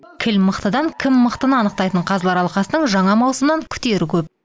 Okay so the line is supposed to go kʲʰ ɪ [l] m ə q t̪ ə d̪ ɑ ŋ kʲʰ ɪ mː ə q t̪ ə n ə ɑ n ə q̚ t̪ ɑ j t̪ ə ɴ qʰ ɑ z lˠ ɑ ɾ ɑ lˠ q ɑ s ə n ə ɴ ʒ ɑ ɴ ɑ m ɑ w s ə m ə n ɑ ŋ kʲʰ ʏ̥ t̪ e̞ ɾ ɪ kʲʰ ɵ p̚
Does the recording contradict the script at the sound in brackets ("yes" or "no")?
no